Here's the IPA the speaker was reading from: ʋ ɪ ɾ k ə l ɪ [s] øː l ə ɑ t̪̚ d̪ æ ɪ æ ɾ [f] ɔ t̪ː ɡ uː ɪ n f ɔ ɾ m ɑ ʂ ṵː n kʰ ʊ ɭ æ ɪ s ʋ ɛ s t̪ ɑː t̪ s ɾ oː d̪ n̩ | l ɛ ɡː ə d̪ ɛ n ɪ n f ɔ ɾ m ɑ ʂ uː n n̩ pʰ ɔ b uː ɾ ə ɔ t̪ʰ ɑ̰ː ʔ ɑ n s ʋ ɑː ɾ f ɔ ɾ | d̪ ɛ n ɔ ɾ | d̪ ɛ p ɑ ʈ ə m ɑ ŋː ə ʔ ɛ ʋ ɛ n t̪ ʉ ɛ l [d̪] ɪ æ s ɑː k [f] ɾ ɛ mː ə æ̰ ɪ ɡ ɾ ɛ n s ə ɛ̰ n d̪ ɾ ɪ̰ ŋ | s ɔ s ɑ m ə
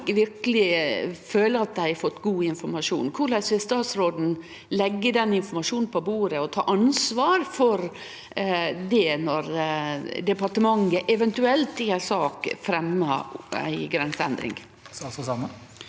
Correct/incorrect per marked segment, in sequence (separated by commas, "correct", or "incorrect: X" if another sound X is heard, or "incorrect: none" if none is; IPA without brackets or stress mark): incorrect: f, correct, incorrect: t̪, correct